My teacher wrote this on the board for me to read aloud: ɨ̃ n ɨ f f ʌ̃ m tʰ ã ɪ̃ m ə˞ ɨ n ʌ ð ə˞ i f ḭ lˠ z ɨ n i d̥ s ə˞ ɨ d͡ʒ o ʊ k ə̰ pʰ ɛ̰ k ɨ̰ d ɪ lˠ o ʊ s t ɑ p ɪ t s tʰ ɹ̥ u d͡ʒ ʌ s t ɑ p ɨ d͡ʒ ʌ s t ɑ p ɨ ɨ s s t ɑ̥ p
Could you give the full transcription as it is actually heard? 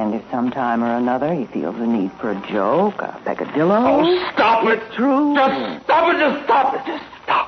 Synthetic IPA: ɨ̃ n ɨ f s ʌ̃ m tʰ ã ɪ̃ m ə˞ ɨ n ʌ ð ə˞ i f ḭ lˠ z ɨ n i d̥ f ə˞ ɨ d͡ʒ o ʊ k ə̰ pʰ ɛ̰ k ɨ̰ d ɪ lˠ o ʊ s t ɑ p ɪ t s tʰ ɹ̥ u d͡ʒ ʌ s t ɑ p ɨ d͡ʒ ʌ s t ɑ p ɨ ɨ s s t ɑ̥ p